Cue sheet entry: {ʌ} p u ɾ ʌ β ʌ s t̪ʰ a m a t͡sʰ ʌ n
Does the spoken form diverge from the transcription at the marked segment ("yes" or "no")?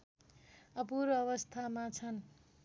no